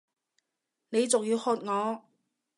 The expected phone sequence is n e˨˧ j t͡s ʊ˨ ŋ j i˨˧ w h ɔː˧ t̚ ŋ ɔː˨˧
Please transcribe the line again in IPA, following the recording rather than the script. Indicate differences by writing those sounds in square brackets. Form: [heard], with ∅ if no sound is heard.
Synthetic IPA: n e˨˧ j t͡s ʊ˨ ŋ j i˨˧ w h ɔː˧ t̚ ŋ ɔː˨˧